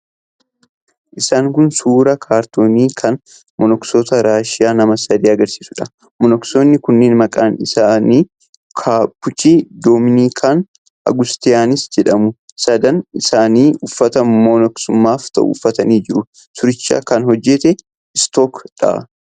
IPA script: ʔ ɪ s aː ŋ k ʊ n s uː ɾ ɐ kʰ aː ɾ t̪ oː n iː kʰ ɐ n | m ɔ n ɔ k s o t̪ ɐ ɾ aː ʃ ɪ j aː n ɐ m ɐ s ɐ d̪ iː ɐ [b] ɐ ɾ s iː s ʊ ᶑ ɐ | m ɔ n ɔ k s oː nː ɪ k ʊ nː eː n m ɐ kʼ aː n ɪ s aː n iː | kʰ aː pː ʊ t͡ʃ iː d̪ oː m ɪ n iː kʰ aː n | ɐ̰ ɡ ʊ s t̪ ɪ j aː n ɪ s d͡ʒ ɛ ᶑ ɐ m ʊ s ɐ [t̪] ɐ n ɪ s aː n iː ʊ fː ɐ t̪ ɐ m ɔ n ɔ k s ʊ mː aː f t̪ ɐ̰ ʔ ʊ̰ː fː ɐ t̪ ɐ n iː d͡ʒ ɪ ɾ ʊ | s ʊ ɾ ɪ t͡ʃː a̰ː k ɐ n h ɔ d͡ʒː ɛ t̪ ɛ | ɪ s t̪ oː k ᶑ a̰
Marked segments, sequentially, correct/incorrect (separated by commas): incorrect, incorrect